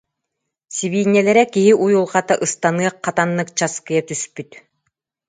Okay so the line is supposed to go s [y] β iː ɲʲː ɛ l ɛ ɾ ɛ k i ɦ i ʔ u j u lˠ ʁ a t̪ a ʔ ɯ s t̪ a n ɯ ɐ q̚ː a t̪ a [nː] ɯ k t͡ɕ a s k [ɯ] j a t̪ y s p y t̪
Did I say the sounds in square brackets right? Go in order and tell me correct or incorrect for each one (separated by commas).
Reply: incorrect, correct, correct